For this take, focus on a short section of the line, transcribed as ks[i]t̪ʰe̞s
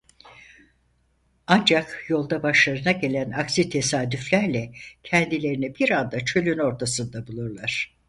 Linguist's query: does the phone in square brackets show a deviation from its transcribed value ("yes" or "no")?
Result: no